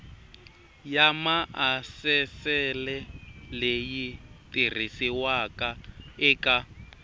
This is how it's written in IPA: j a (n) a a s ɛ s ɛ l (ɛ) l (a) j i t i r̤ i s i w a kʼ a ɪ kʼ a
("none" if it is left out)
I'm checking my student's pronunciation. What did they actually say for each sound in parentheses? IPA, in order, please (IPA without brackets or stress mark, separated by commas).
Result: m, ɛ, e